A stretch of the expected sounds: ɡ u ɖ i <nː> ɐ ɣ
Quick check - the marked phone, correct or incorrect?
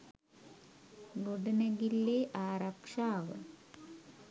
incorrect